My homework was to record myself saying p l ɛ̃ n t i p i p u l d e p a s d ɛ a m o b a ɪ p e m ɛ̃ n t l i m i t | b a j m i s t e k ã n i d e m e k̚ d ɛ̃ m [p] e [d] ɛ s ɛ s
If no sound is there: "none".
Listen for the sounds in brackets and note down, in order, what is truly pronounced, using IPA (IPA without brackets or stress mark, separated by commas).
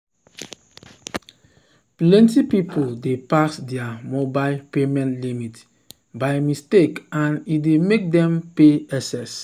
p, none